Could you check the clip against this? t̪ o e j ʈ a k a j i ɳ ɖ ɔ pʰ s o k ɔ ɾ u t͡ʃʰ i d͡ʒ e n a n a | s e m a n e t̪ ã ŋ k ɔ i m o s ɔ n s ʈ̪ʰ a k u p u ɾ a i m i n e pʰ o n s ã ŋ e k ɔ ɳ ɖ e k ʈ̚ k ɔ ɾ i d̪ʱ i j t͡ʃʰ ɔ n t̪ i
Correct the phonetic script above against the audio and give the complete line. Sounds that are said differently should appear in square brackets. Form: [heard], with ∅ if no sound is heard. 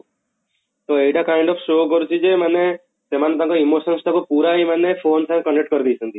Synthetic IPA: t̪ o e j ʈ a k a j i ɳ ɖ ɔ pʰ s o k ɔ ɾ u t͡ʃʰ i d͡ʒ e [m] a n [e] | s e m a n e t̪ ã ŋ k ɔ i m o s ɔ n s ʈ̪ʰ a k u p u ɾ a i m [a] n e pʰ o n s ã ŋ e k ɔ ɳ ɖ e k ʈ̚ k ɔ ɾ i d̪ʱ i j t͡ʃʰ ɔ n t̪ i